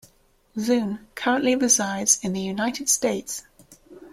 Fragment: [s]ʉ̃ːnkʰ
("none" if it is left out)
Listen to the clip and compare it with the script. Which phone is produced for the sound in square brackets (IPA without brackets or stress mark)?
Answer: z